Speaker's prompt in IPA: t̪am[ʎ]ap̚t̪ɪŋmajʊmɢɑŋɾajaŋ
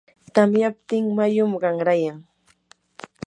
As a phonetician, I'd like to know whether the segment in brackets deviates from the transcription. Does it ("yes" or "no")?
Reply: yes